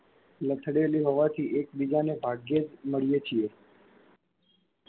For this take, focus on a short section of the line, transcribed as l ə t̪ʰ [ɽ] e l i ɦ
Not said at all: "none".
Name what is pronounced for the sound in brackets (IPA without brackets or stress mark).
ɽ